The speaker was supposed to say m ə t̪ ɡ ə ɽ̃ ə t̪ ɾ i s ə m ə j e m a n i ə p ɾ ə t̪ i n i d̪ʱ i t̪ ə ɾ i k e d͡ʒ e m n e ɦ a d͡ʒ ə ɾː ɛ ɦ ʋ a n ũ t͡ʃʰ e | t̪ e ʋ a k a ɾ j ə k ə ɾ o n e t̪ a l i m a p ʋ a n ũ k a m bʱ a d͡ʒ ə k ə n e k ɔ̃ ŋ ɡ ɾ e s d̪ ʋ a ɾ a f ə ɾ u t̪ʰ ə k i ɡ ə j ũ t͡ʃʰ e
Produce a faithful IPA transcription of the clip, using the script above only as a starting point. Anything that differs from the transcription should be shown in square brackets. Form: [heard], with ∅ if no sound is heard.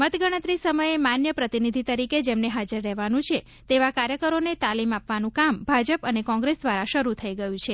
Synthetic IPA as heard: m ə t̪ ɡ ə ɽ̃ ə t̪ ɾ i s ə m ə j e m a n [j] ə p ɾ ə t̪ i n i d̪ʱ i t̪ ə ɾ i k e d͡ʒ e m n e ɦ a d͡ʒ ə ɾː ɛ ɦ ʋ a n ũ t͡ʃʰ e | t̪ e ʋ a k a ɾ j ə k ə ɾ o n e t̪ a l i m a p ʋ a n ũ k a m bʱ a d͡ʒ ə [p] ə n e k ɔ̃ ŋ ɡ ɾ e s d̪ ʋ a ɾ a [ʃ] ə ɾ u t̪ʰ ə [∅] i ɡ ə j ũ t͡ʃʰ e